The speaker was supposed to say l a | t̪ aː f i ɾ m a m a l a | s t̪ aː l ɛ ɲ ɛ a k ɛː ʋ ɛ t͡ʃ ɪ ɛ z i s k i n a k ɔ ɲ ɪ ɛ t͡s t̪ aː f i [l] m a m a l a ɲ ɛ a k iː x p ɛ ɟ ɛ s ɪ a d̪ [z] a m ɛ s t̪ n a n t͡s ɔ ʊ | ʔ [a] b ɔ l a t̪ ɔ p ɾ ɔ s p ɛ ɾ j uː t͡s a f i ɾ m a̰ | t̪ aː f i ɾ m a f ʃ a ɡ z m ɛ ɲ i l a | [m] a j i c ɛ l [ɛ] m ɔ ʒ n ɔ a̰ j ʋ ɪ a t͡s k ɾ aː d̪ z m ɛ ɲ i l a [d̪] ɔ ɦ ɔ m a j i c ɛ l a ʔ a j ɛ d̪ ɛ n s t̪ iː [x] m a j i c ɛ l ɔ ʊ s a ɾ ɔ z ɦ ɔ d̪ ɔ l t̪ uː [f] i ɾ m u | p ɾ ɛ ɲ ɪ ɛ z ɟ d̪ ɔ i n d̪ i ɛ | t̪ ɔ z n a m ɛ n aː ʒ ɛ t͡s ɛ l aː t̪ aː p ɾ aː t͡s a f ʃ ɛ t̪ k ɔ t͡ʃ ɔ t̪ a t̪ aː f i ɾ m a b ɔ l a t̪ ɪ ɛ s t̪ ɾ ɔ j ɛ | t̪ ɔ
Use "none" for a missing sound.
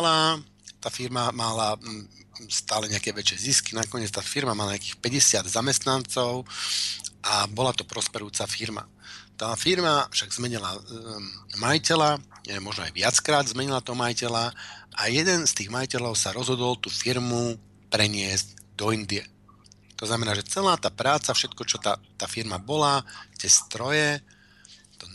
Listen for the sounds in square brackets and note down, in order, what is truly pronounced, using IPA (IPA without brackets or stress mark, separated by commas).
ɾ, z, a, m, a, t̪, ɣ, f